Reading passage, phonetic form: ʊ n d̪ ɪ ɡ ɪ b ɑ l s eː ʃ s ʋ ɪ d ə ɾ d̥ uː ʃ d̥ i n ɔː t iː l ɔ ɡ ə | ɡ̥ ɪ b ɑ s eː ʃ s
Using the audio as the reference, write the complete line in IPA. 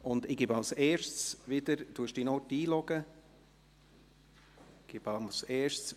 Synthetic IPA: ʊ n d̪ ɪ ɡ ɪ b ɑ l s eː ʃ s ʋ ɪ d ə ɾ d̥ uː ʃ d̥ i n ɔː t iː l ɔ ɡ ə | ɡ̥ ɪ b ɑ s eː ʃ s